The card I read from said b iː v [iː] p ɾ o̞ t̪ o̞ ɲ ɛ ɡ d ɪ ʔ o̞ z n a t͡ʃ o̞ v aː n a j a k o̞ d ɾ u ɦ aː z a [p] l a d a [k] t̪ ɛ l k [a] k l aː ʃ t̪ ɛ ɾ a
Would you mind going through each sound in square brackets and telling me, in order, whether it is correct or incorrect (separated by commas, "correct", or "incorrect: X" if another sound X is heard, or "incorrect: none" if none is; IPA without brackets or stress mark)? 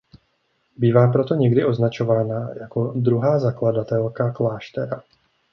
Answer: incorrect: aː, incorrect: k, incorrect: none, correct